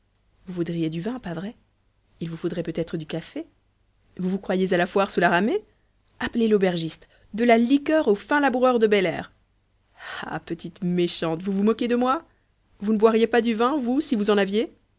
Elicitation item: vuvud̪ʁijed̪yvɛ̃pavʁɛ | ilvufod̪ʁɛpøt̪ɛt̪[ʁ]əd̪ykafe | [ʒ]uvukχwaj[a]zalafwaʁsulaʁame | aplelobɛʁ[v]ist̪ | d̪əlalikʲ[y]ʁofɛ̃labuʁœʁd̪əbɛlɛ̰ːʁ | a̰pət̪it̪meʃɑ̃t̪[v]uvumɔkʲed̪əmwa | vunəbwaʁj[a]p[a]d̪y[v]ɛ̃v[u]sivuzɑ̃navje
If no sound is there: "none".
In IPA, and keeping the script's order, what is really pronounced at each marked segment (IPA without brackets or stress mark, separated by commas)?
χ, v, e, ʒ, œ, v, e, a, v, u